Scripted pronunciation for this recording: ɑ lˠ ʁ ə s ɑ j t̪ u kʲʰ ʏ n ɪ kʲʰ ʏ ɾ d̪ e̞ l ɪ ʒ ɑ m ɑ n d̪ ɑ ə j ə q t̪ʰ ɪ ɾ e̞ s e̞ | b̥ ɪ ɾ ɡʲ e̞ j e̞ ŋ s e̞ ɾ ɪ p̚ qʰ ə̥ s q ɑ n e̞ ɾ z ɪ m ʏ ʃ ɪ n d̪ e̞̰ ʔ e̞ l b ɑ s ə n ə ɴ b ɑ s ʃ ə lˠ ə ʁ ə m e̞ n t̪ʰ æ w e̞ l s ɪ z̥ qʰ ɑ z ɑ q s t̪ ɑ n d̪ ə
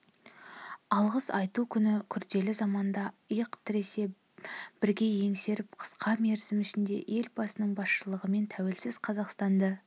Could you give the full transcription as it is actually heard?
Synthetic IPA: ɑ lˠ ʁ ə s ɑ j t̪ u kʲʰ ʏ n ɪ kʲʰ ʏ ɾ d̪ e̞ l ɪ z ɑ m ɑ n d̪ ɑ ə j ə q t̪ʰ ɪ ɾ e̞ s e̞ | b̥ ɪ ɾ ɡʲ e̞ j e̞ ŋ s e̞ ɾ ɪ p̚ qʰ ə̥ s q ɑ m e̞ ɾ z ɪ m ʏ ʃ ɪ n d̪ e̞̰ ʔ e̞ l b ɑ s ə n ə ɴ b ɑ s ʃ ə lˠ ə ʁ ə m e̞ n t̪ʰ æ w e̞ l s ɪ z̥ qʰ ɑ z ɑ q s t̪ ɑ n d̪ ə